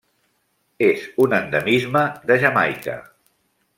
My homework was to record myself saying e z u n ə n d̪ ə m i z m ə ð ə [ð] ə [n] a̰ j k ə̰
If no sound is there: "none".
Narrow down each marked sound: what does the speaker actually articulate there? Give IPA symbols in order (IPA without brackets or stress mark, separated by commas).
ʒ, m